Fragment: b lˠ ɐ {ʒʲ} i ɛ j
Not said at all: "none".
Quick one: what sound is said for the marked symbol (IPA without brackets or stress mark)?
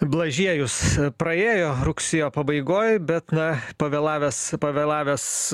ʒʲ